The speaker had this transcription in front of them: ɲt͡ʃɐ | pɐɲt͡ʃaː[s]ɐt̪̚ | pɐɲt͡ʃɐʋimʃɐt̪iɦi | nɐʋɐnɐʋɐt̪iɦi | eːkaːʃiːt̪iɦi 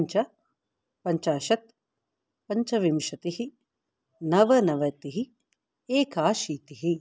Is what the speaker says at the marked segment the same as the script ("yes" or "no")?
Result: no